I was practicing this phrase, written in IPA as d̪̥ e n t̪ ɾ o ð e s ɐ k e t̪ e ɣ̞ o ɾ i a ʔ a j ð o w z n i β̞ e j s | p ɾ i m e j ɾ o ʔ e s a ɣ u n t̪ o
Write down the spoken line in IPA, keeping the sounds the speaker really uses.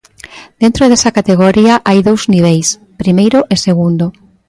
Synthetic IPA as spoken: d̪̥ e n t̪ ɾ o ð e s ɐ k a t̪ e ɣ̞ o ɾ i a ʔ a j ð o w z n i β̞ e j s | p ɾ i m e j ɾ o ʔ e s e ɣ u n d̪ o